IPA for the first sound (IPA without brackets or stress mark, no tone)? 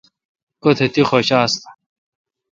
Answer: k